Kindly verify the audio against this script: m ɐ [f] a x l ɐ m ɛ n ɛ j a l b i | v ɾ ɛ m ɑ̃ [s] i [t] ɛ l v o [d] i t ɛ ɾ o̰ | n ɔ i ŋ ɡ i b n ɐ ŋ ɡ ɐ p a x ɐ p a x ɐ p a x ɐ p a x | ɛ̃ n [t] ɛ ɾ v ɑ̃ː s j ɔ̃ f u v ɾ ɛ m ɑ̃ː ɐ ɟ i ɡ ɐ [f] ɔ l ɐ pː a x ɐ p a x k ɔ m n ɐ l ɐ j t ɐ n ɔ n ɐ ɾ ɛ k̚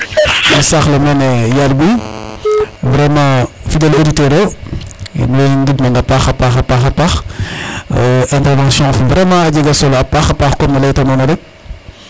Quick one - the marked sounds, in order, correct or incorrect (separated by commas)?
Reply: incorrect, incorrect, incorrect, correct, correct, incorrect